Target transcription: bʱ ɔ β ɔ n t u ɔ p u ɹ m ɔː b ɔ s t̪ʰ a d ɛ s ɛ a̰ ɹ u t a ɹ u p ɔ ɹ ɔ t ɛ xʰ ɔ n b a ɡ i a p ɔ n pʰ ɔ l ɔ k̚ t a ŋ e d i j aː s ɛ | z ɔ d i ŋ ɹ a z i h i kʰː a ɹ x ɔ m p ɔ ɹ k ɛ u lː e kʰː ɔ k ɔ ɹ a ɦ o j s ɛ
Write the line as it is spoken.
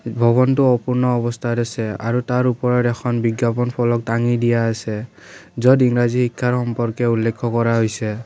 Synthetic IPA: bʱ ɔ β ɔ n t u ɔ p u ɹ n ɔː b ɔ s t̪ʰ a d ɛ s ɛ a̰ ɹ u t a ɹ u p ɔ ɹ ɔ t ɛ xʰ ɔ n b i ɡ j a p ɔ n pʰ ɔ l ɔ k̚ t a ŋ i d i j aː s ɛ | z ɔ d i ŋ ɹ a z i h i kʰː a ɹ x ɔ m p ɔ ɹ k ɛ u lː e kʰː ɔ k ɔ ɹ a ɦ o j s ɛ